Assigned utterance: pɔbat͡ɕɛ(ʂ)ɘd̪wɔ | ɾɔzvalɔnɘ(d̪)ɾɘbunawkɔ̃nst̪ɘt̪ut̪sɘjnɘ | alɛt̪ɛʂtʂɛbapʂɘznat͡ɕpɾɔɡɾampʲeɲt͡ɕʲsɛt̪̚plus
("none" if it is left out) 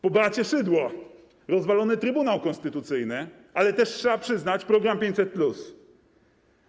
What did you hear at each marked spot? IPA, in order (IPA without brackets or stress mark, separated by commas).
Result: ʂ, t̪